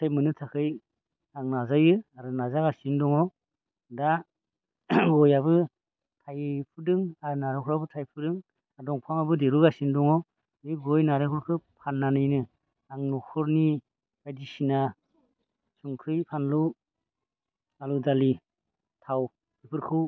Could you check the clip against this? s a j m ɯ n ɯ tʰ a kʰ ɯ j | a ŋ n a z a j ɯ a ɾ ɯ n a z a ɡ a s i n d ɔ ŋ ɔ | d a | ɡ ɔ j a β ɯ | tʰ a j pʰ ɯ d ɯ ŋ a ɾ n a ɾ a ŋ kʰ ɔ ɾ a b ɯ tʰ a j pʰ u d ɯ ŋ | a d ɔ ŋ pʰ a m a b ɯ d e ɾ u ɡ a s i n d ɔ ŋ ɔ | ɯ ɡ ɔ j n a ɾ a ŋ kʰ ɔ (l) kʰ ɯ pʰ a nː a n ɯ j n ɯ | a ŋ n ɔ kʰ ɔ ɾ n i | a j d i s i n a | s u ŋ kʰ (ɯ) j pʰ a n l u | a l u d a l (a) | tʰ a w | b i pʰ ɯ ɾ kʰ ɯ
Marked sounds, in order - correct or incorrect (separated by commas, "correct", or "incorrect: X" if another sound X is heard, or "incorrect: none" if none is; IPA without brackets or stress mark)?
incorrect: ɾ, correct, incorrect: i